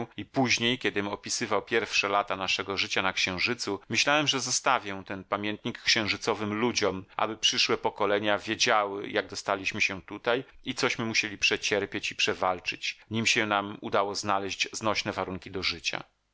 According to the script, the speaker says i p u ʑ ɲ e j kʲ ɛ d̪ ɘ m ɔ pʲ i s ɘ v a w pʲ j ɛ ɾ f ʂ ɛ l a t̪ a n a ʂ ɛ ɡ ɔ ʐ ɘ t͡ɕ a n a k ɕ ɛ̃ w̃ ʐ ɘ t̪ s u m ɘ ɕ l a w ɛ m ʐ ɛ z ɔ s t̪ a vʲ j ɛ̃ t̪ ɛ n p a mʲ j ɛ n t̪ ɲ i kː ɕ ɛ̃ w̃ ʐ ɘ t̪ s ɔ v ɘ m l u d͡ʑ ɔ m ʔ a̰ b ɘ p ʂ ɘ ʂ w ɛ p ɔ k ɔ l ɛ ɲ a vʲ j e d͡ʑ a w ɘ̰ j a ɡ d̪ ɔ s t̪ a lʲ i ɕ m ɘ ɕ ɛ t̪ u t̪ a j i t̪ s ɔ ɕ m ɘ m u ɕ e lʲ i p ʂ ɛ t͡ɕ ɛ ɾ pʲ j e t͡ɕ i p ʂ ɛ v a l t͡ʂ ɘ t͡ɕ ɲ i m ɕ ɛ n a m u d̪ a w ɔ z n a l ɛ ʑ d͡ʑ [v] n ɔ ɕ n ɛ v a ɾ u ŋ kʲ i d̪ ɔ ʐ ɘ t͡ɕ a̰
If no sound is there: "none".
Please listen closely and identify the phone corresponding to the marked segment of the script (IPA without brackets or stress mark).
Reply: z